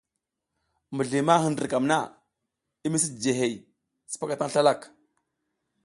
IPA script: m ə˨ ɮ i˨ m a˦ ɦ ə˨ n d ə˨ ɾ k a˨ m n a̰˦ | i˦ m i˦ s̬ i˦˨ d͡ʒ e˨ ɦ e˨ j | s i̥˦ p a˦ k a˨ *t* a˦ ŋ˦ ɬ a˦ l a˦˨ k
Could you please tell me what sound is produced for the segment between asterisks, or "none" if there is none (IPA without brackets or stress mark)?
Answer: t